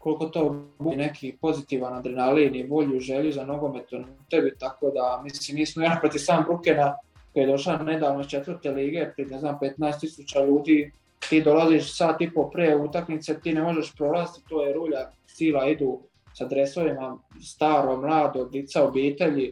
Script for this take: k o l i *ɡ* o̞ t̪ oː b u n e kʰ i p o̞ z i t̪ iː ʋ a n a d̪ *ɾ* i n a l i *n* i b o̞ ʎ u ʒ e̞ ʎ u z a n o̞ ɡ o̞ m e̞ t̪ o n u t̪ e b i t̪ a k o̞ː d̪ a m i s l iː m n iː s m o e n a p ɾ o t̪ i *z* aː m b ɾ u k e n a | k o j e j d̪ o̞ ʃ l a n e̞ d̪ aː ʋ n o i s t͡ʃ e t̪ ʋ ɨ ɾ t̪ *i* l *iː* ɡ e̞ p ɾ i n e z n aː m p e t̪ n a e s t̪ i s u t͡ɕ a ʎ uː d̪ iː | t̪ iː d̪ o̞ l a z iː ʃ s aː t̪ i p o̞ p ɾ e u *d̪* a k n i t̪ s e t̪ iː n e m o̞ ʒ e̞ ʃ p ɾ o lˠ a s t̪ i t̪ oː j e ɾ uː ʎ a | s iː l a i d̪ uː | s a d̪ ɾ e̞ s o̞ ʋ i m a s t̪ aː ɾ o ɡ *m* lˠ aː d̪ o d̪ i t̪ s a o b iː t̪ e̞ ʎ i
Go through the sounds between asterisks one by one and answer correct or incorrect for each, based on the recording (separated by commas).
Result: incorrect, correct, correct, incorrect, incorrect, correct, incorrect, correct